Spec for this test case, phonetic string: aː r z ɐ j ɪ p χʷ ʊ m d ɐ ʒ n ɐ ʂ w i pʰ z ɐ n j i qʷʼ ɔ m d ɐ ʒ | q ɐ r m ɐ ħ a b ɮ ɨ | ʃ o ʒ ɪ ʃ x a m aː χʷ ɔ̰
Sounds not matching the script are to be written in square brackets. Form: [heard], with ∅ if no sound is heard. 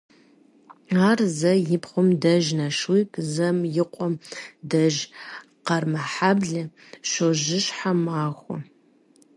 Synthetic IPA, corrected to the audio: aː r z ɐ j ɪ p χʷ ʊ m d ɐ ʒ n ɐ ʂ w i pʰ z ɐ [m] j [ɪ] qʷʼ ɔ m d ɐ ʒ | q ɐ r m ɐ ħ a b ɮ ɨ | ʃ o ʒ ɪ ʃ [ħ] a m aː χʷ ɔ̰